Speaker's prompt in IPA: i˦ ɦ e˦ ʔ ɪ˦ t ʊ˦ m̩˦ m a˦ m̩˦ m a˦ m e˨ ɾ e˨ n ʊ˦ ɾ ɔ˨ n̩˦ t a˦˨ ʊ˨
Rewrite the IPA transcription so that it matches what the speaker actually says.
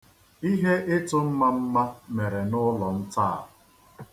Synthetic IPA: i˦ ɦ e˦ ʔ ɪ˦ t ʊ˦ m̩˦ m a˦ m̩˦ m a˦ m e˨ ɾ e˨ n ʊ˦ l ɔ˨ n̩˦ t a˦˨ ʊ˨